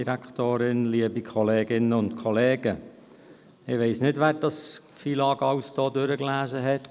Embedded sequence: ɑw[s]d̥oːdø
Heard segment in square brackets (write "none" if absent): s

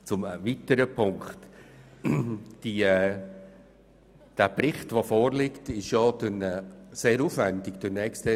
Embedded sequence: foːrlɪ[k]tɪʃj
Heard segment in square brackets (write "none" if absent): k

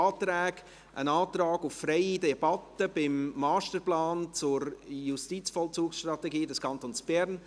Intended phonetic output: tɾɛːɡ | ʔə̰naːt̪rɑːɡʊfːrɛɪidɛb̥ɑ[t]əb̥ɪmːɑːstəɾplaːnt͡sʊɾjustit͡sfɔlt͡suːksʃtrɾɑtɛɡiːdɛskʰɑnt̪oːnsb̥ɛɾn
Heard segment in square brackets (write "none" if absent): t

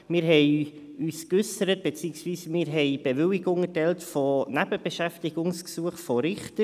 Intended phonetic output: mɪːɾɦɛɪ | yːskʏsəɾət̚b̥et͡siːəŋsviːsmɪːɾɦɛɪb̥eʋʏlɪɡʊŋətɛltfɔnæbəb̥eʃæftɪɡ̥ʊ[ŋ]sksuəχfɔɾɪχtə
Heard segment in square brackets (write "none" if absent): ŋ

